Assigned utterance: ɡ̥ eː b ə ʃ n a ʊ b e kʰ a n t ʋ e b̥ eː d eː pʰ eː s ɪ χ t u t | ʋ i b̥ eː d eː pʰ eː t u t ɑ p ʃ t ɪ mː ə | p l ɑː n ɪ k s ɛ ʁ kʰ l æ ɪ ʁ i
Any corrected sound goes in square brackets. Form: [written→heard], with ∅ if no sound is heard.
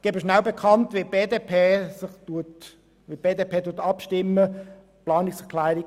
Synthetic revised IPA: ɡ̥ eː b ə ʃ n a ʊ b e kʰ [a→ɑ] n t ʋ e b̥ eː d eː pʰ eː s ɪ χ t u t | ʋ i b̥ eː d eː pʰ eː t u t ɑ p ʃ t ɪ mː ə | p l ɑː n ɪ k s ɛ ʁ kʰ l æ ɪ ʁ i